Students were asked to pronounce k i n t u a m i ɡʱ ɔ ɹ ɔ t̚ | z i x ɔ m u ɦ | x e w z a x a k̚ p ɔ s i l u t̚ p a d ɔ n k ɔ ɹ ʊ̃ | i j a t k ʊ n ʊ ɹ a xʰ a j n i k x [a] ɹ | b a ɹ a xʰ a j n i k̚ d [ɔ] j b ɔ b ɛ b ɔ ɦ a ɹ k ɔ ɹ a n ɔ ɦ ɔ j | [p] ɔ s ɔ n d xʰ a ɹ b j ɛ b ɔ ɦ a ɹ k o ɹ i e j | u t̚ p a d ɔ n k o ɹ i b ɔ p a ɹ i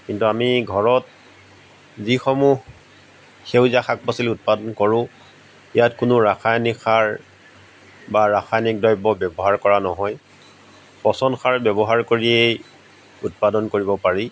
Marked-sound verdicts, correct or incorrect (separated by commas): correct, correct, correct